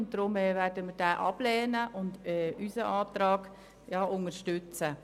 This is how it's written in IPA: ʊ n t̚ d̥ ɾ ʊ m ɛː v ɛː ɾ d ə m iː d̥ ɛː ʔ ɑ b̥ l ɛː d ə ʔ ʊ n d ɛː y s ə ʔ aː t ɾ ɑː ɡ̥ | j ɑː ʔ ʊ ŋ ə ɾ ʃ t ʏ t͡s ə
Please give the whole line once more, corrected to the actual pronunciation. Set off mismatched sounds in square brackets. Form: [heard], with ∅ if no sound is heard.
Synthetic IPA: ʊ n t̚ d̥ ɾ ʊ m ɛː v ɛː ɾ d ə m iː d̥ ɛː ʔ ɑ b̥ l ɛː [n] ə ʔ ʊ n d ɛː y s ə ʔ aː t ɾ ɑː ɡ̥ | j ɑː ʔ ʊ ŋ ə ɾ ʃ t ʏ t͡s ə